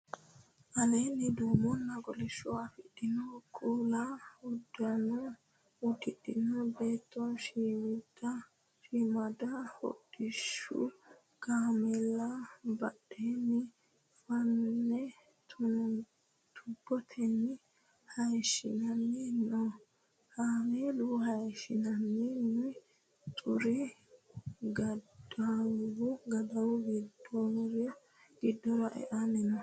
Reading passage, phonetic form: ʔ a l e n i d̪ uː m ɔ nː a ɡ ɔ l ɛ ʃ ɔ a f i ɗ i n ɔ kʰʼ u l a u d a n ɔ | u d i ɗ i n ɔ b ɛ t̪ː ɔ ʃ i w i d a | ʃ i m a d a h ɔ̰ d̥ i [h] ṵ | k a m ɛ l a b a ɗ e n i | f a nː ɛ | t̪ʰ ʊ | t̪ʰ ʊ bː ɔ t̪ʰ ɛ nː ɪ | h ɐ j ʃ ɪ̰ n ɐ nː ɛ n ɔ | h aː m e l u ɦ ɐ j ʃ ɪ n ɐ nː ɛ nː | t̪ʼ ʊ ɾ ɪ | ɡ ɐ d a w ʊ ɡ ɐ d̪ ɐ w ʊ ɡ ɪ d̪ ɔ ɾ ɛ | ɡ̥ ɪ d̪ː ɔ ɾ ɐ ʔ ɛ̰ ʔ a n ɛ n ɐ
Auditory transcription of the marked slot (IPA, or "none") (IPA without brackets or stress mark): ʃ